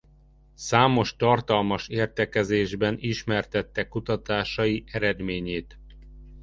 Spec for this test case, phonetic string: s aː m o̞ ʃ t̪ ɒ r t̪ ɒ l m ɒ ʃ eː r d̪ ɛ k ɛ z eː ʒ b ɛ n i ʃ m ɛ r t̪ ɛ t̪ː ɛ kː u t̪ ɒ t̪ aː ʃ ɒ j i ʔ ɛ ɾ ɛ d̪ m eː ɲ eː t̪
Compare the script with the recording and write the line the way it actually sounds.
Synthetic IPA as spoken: s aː m o̞ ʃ t̪ ɒ r t̪ ɒ l m ɒ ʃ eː r t̪ ɛ k ɛ z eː ʒ b ɛ n i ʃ m ɛ r t̪ ɛ t̪ː ɛ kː u t̪ ɒ t̪ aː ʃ ɒ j i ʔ ɛ ɾ ɛ d̪ m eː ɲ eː t̪